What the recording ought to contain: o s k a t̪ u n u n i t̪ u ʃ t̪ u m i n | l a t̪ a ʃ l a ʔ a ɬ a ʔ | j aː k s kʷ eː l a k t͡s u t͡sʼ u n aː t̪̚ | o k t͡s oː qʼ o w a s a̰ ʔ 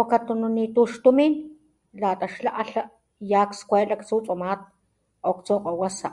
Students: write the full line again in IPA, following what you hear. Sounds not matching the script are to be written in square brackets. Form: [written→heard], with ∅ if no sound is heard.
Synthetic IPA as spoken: o [s→∅] k a t̪ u n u n i t̪ u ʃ t̪ u m i n | l a t̪ a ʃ l a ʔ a ɬ a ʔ | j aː k s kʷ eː l a k t͡s u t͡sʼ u [n→m] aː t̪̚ | o k t͡s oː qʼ o w a s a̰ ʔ